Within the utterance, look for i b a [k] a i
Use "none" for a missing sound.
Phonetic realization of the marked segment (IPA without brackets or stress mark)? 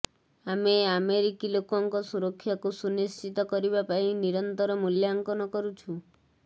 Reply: p